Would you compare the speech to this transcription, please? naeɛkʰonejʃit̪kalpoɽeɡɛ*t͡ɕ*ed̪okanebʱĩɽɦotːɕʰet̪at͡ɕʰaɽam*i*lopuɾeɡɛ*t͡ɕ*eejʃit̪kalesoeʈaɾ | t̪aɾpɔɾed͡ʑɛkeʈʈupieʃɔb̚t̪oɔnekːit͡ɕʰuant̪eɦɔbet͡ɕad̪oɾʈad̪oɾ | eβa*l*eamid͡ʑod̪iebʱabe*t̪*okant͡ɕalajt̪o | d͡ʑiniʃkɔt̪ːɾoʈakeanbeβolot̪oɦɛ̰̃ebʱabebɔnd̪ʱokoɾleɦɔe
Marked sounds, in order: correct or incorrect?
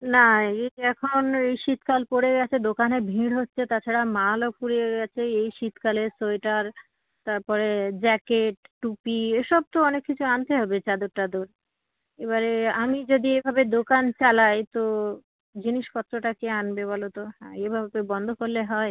incorrect: t͡ɕʰ, incorrect: a, incorrect: t͡ɕʰ, incorrect: ɾ, incorrect: d̪

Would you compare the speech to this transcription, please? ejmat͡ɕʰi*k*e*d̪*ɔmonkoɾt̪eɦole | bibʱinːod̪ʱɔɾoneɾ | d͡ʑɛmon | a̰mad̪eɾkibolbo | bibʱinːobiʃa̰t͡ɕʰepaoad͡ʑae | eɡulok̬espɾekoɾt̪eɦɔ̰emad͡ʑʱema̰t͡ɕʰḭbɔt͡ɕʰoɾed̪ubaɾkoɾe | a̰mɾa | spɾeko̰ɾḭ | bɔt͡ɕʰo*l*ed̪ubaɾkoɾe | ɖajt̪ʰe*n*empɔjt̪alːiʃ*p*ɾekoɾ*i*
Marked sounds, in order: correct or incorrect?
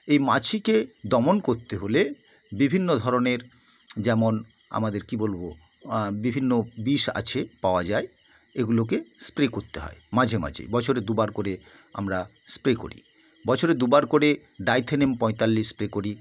correct, correct, incorrect: ɾ, correct, correct, correct

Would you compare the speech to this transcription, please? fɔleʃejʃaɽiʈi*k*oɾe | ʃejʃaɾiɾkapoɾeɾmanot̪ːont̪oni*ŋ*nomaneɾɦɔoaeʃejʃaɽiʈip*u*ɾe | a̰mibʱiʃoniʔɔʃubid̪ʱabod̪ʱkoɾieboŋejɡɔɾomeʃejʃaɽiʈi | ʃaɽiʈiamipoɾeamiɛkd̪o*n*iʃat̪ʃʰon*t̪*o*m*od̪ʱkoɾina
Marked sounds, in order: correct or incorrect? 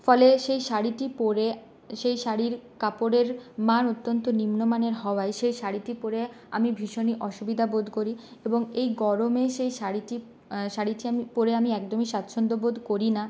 incorrect: p, incorrect: m, incorrect: o, incorrect: m, incorrect: d̪, incorrect: b

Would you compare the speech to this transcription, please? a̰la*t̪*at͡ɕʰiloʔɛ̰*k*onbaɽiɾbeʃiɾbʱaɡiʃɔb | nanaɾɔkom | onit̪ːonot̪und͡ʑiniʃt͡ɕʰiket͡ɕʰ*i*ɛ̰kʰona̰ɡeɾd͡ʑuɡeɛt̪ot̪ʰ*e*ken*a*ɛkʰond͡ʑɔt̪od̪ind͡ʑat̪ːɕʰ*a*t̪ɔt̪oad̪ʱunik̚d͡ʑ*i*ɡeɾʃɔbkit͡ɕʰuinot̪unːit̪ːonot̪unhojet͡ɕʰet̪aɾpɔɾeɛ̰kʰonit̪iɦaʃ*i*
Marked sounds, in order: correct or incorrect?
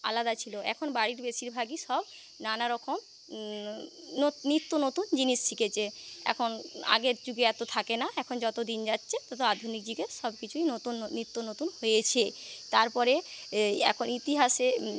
incorrect: d̪, incorrect: kʰ, incorrect: e, incorrect: a, correct, incorrect: e, correct, incorrect: e

